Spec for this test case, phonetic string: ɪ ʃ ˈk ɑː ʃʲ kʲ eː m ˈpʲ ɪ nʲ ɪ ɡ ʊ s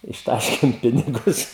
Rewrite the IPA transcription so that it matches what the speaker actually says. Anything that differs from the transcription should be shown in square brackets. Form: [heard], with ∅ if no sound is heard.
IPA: ɪ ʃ [ˈt] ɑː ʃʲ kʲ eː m ˈpʲ ɪ nʲ ɪ ɡ ʊ s